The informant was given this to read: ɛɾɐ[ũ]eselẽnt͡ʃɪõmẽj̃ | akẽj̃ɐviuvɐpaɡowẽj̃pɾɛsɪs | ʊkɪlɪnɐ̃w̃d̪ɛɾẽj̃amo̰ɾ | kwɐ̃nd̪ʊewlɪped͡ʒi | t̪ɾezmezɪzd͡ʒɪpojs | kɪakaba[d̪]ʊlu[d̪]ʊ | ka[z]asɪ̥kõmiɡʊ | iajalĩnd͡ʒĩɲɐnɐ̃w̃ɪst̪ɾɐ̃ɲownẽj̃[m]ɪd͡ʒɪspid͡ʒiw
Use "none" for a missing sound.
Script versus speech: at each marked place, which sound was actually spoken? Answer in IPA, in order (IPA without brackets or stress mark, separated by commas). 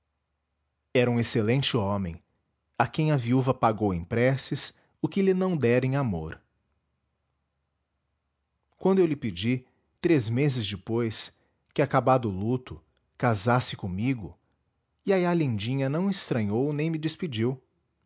ũ, d̪, t̪, z, m